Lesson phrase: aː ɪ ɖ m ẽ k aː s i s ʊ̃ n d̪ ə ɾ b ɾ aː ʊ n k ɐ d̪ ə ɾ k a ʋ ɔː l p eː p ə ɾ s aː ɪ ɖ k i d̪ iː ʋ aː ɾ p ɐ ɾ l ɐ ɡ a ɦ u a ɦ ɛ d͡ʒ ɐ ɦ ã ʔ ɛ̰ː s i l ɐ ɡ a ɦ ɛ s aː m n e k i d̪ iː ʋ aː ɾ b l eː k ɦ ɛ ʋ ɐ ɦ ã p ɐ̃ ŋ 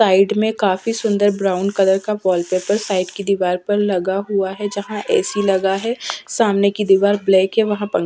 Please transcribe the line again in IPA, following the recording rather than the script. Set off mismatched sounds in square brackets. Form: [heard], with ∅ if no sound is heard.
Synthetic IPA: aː ɪ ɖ m ẽ k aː [f] i s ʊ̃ n d̪ ə ɾ b ɾ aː ʊ n k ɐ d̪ ə ɾ k a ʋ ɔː l p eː p ə ɾ s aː ɪ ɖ k i d̪ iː ʋ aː ɾ p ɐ ɾ l ɐ ɡ a ɦ u a ɦ ɛ d͡ʒ ɐ ɦ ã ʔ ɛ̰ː s i l ɐ ɡ a ɦ ɛ s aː m n e k i d̪ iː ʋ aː ɾ b l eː k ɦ ɛ ʋ ɐ ɦ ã p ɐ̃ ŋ

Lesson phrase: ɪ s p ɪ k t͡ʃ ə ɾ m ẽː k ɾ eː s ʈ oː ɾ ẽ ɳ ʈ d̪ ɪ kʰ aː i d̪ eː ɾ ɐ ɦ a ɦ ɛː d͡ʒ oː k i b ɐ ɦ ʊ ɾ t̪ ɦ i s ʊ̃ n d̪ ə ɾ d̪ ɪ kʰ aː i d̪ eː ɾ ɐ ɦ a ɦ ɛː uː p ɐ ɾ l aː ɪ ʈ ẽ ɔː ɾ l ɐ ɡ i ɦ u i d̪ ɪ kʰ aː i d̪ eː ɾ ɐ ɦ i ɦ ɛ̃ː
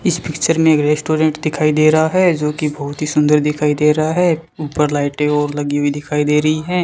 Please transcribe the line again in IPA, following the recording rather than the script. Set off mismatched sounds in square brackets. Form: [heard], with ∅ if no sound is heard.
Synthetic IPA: ɪ s p ɪ k t͡ʃ ə ɾ m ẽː k ɾ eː s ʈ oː ɾ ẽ ɳ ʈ d̪ ɪ kʰ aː i d̪ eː ɾ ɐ ɦ a ɦ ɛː d͡ʒ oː k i b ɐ ɦ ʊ [∅] t̪ ɦ i s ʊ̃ n d̪ ə ɾ d̪ ɪ kʰ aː i d̪ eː ɾ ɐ ɦ a ɦ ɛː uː p [ə] ɾ l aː ɪ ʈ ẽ ɔː ɾ l ɐ ɡ i ɦ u i d̪ ɪ kʰ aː i d̪ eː ɾ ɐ ɦ i ɦ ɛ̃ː

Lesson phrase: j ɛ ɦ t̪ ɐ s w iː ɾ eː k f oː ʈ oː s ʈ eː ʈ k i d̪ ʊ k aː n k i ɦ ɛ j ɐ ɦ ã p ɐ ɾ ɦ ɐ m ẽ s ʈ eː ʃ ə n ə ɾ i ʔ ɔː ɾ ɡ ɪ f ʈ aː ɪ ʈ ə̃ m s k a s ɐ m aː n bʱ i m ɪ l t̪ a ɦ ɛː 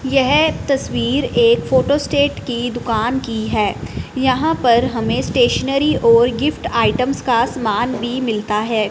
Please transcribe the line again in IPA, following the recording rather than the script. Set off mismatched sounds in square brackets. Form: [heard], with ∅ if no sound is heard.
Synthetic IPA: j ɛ ɦ t̪ ɐ s w iː ɾ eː k f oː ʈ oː s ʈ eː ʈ k i d̪ ʊ k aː n k i ɦ [ɛː] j ɐ ɦ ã p ɐ ɾ ɦ ɐ m ẽ s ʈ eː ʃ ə n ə ɾ i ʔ ɔː ɾ ɡ ɪ f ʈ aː ɪ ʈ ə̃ m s k a s ɐ m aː n bʱ i m ɪ l t̪ a ɦ ɛː

